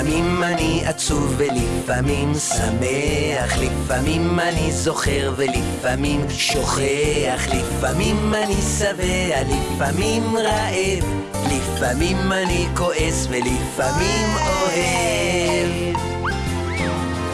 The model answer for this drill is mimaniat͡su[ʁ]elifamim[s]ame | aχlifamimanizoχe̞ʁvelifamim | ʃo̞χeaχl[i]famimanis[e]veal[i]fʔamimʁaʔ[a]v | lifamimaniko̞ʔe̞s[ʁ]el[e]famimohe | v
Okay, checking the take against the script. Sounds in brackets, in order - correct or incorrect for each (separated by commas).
incorrect, correct, correct, incorrect, correct, incorrect, incorrect, incorrect